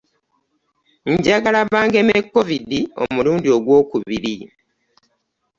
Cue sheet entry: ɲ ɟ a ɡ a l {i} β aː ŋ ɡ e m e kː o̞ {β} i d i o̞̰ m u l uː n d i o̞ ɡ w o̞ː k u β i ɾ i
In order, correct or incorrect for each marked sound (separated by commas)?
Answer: incorrect, incorrect